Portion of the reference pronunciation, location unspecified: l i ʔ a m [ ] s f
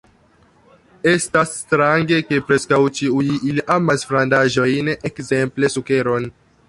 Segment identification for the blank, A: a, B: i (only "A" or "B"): A